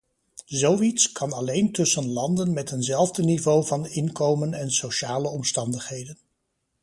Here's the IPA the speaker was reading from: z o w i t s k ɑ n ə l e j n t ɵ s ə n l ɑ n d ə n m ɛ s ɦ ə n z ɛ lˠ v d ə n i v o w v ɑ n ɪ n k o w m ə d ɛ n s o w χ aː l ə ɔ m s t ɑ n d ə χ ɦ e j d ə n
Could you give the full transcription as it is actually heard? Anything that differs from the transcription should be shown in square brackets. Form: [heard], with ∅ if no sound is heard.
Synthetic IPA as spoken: z o w i t s k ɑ n [ɑ] l e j n t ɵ s ə n l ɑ n d ə n m ɛ [t] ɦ ə n z ɛ lˠ v d ə n i v o w v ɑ n ɪ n k o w m ə [n] ɛ n s o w [ʃ] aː l ə ɔ m s t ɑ n d ə χ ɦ e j d ə n